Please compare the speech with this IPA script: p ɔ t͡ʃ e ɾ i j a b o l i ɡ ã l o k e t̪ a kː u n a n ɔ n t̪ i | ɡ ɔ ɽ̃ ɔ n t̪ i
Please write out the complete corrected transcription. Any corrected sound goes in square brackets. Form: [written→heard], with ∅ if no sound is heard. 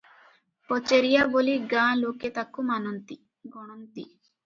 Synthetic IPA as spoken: p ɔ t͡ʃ e ɾ i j a b o l i ɡ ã l o k e t̪ a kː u [n→m] a n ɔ n t̪ i | ɡ ɔ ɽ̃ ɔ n t̪ i